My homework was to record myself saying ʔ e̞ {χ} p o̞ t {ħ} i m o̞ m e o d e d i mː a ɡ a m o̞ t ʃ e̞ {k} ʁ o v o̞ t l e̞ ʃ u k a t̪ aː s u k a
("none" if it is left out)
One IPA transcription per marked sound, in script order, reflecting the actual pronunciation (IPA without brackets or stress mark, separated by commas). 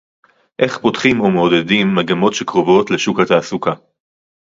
χ, χ, k